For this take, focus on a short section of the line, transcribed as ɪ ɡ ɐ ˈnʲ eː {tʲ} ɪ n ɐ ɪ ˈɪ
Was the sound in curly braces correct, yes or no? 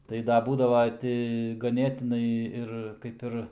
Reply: yes